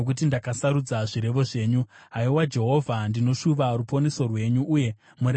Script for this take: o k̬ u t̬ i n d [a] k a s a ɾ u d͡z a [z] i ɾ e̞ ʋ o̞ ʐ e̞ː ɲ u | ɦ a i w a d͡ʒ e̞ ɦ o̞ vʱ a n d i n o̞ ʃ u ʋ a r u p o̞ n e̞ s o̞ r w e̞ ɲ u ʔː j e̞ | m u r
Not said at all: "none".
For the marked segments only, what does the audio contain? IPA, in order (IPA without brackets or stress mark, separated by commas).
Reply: a, ʐ